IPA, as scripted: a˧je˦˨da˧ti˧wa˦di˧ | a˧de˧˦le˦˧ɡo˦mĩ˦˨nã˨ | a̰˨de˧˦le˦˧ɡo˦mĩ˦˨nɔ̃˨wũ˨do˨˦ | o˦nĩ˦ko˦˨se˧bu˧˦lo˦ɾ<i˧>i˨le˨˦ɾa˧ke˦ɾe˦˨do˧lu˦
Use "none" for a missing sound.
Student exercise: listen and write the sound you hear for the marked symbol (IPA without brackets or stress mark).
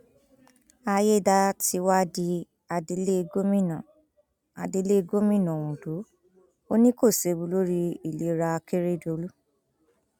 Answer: i˧